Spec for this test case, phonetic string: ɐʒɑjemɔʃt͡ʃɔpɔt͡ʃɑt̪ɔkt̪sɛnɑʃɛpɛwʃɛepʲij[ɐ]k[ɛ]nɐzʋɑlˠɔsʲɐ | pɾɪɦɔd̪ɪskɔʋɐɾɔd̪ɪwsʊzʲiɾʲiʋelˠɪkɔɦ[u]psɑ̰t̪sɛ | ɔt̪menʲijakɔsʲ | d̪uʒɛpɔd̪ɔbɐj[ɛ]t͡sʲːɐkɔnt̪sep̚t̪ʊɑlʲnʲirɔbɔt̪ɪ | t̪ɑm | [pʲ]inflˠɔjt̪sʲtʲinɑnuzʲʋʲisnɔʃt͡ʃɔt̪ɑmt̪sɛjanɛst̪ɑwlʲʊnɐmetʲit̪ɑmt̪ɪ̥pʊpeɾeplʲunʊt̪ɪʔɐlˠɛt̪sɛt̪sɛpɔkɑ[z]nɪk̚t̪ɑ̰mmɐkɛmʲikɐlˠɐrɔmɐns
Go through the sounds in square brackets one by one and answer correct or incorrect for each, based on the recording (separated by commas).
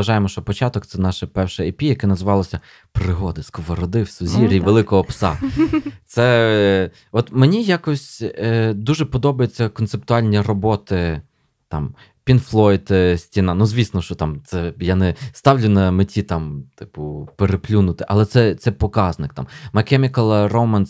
correct, correct, incorrect, incorrect, correct, correct